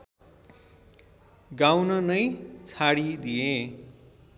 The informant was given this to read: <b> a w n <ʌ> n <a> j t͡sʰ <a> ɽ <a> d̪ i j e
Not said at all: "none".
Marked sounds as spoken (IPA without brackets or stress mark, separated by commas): ɡ, ʌ, ʌ, a, i